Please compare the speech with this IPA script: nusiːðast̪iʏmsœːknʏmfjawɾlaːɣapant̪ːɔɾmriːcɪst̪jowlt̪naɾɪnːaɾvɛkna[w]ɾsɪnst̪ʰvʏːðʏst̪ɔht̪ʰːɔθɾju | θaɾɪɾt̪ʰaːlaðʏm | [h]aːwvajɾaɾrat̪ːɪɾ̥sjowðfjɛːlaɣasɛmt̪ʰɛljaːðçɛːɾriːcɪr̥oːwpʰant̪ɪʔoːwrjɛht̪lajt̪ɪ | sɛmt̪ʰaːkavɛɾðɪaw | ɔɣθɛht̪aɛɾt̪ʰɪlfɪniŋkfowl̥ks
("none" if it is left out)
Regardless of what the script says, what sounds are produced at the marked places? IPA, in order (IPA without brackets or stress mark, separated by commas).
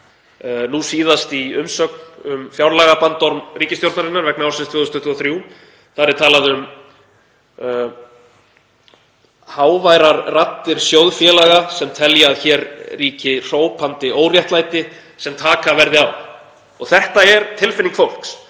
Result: w, h